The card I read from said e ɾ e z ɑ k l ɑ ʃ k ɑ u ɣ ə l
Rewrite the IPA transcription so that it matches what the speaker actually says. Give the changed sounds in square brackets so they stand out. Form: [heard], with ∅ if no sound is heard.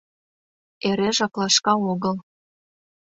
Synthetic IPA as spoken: e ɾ e [ʒ] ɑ k l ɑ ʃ k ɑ [o] ɣ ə l